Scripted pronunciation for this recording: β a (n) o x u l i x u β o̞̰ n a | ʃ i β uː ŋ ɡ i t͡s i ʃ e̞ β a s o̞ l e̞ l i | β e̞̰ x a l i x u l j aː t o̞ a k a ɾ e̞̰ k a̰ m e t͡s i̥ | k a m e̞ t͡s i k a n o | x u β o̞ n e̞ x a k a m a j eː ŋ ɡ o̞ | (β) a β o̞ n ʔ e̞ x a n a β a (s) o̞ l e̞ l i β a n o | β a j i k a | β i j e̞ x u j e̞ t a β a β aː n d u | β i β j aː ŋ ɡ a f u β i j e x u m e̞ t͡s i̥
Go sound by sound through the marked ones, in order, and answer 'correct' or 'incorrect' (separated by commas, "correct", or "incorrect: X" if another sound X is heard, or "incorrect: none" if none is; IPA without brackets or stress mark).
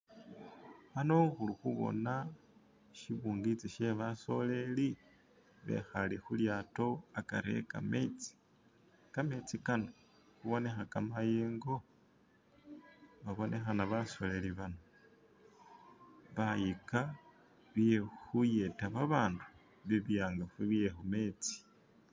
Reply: correct, correct, correct